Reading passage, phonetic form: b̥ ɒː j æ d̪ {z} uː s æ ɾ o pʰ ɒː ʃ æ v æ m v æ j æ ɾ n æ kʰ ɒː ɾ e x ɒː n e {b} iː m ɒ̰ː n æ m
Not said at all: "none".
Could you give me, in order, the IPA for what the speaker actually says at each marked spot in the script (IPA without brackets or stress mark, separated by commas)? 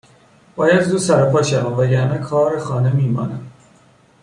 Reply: z, m